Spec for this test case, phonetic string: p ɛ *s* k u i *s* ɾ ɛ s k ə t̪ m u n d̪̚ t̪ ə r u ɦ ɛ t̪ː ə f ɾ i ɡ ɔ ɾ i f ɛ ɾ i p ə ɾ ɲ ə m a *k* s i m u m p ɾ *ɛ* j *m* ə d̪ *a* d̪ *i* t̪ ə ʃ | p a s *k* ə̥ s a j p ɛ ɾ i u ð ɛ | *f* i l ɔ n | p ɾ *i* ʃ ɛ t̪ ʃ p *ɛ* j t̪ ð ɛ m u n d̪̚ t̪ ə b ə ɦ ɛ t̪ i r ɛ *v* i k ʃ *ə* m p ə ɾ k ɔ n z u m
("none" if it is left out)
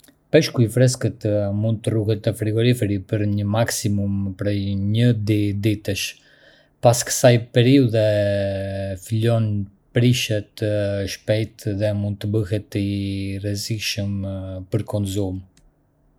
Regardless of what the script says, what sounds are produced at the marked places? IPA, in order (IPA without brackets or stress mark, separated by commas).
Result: ʃ, f, k, ɛ, ɲ, i, i, k, f, i, ɛ, z, ə